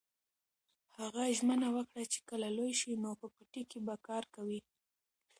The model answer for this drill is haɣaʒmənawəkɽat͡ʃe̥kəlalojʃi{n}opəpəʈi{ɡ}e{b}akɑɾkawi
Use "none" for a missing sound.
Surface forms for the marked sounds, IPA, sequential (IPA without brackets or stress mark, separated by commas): n, k, b